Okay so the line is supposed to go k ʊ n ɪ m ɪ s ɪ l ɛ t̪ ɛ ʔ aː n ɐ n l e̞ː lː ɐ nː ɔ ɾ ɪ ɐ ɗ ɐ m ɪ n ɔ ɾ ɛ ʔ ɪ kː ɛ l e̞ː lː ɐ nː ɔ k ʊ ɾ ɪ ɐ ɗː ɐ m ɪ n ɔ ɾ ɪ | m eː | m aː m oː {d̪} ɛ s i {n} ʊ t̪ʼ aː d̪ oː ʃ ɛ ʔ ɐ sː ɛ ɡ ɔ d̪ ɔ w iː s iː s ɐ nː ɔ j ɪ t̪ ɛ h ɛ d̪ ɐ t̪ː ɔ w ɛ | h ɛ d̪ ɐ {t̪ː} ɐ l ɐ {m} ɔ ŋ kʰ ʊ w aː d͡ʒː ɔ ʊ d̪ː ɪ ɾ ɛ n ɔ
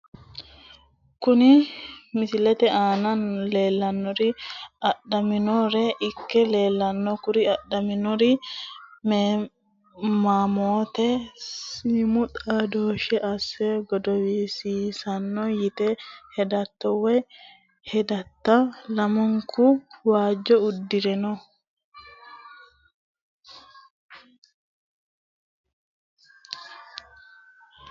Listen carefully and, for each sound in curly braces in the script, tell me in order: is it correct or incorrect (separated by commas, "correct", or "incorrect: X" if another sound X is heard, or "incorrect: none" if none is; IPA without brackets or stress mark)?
incorrect: t̪, incorrect: m, correct, correct